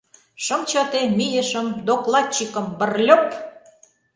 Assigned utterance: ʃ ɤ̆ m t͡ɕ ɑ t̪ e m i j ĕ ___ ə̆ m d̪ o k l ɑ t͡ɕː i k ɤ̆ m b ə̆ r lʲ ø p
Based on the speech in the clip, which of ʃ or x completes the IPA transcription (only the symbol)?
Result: ʃ